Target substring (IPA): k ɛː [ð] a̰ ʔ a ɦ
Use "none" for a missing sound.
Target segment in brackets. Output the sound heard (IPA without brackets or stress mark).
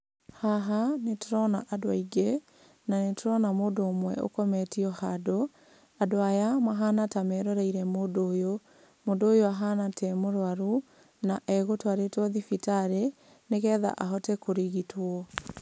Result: ð